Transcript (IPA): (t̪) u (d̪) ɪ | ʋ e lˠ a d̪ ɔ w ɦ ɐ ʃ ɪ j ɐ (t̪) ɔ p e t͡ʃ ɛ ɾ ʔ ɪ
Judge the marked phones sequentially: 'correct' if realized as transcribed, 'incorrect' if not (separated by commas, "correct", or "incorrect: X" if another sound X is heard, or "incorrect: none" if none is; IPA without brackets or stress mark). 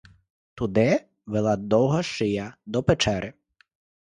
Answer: correct, correct, incorrect: d̪